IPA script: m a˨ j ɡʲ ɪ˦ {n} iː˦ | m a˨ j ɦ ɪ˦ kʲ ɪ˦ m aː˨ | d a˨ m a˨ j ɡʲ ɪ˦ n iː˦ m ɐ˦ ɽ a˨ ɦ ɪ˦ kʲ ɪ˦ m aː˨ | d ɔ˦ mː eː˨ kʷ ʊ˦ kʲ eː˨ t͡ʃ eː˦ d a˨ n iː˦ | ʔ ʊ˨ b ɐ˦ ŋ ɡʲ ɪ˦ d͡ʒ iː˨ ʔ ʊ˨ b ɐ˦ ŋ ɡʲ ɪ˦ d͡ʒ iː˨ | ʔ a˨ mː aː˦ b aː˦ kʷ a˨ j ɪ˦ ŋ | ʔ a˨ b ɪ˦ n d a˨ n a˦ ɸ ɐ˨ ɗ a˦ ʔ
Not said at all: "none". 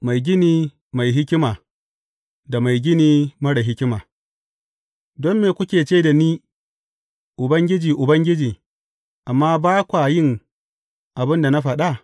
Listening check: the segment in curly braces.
n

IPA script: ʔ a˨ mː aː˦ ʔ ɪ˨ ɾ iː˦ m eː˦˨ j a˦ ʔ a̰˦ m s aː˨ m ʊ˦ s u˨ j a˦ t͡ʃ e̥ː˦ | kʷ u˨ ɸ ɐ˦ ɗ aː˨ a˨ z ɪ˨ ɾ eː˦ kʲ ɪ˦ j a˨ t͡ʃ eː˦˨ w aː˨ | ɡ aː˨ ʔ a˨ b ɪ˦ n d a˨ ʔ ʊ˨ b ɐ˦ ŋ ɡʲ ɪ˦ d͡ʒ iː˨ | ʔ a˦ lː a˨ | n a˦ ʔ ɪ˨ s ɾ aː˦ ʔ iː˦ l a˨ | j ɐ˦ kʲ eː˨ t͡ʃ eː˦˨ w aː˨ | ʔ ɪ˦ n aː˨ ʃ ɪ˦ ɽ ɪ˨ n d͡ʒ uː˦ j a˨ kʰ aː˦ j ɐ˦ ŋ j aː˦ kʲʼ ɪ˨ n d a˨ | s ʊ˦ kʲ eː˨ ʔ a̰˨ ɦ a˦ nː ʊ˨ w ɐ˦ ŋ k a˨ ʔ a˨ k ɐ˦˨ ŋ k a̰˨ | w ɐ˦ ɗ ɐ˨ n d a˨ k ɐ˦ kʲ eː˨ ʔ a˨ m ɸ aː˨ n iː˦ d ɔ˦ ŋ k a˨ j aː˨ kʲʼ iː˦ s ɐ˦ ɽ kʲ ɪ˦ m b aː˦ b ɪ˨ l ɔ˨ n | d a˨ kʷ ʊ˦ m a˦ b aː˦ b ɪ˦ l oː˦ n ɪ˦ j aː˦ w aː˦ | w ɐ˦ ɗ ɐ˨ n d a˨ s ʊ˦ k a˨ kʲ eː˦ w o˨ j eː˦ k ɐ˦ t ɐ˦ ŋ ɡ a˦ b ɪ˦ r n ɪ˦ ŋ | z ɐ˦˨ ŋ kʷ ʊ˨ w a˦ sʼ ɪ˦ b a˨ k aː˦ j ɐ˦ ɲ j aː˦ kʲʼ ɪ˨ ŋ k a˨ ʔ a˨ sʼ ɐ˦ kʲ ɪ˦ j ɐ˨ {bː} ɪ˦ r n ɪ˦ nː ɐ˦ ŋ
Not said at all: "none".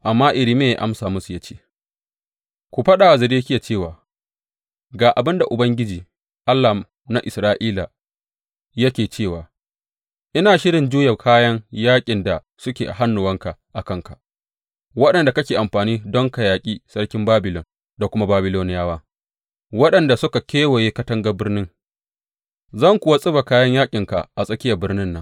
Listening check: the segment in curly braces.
b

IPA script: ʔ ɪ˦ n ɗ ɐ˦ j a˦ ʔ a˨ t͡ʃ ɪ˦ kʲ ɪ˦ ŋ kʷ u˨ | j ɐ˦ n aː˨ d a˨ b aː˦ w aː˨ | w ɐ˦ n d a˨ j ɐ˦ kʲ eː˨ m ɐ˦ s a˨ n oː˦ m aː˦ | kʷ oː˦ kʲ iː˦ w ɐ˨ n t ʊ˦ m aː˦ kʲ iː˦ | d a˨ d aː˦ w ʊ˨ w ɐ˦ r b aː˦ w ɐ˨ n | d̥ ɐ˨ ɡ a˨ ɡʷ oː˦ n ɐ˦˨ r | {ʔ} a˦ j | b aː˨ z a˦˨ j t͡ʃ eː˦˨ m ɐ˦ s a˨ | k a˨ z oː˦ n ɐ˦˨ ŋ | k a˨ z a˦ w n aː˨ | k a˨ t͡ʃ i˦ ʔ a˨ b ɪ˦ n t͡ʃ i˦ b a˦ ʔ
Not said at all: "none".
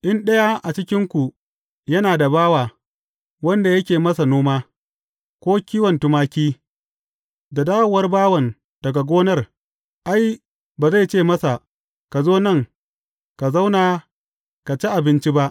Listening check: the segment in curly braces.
ʔ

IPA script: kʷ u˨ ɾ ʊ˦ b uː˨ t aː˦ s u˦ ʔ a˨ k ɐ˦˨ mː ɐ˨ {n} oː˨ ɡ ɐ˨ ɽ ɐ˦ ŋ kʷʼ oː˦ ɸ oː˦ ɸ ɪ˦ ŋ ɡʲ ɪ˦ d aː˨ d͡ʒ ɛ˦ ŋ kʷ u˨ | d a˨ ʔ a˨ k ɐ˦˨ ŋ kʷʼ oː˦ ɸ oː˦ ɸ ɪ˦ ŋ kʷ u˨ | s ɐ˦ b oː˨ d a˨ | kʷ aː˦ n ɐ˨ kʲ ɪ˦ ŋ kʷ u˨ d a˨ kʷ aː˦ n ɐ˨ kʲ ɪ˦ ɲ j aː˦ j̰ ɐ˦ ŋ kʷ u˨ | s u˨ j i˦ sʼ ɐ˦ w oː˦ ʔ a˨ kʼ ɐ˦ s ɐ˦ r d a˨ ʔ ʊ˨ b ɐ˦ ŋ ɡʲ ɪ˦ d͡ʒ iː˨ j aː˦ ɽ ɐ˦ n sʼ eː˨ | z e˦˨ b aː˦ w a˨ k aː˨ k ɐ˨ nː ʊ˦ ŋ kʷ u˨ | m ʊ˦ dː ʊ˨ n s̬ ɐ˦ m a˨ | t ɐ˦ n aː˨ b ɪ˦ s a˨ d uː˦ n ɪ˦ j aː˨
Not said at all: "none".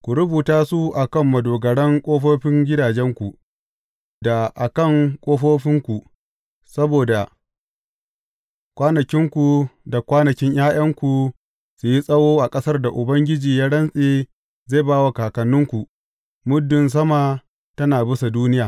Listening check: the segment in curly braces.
d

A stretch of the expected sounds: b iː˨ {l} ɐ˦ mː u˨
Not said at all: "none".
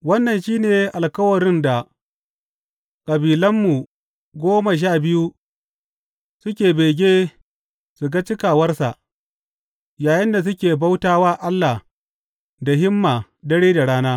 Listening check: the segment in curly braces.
l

